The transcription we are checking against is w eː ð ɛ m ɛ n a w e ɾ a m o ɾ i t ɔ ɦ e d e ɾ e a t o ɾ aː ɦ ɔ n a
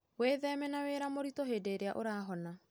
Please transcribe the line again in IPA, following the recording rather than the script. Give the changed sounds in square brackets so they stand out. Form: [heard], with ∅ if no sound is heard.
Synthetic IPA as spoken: w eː ð ɛ m ɛ n a w e ɾ a m o ɾ i t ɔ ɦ e d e ɾ e a [ʔ] o ɾ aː ɦ ɔ n a

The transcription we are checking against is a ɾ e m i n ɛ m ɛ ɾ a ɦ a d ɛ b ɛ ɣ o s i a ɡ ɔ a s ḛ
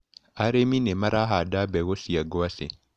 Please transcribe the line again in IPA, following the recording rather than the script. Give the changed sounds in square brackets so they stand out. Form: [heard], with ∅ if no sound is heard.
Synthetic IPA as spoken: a ɾ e m i n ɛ m [a] ɾ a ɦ a d [a] b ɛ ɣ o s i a ɡ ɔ a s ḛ

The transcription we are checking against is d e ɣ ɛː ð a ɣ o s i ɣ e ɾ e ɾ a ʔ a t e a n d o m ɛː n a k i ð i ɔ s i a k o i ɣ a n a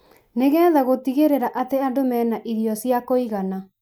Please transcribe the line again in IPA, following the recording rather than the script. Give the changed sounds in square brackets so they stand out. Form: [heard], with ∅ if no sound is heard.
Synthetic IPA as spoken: [n] e ɣ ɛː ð a ɣ o [t] i ɣ e ɾ e ɾ a ʔ a t e a n d o m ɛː n a [ʔ] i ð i ɔ s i a k o i ɣ a n a

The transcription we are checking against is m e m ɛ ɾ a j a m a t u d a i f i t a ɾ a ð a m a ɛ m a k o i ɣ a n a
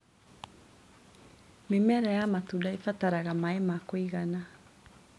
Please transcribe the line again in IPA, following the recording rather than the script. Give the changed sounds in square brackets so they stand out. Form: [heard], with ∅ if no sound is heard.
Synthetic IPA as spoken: m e m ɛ ɾ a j a m a t u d a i f [a] t a ɾ a [ɣ] a m a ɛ m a k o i ɣ a n a

